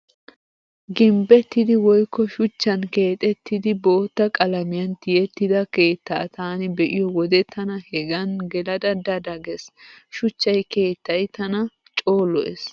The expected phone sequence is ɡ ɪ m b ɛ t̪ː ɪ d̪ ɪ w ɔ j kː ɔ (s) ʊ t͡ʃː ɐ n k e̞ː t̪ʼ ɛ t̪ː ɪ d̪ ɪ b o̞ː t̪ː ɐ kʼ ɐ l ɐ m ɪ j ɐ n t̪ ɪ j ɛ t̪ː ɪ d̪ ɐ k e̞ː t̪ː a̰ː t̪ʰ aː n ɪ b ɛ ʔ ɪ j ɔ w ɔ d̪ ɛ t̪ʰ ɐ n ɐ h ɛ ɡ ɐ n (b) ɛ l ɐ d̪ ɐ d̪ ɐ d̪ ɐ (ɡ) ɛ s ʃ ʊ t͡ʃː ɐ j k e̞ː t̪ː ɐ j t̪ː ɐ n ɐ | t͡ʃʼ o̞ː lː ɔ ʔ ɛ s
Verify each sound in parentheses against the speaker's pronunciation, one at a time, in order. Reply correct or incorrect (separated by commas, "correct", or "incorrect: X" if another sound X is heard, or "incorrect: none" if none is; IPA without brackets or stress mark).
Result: incorrect: ʃ, incorrect: ɡ, correct